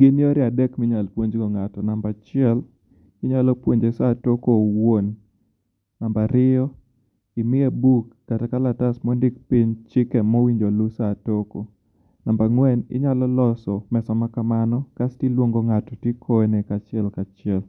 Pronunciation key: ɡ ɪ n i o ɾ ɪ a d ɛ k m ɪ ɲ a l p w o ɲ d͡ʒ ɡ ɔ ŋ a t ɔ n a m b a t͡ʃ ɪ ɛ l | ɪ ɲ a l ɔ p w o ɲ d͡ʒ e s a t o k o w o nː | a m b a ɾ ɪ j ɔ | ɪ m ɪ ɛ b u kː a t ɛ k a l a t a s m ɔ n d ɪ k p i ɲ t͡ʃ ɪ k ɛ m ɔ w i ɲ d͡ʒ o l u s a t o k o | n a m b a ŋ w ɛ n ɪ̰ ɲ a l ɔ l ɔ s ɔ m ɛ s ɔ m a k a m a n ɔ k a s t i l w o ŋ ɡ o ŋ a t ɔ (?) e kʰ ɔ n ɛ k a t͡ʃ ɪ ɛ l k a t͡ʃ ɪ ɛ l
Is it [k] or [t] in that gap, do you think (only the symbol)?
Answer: t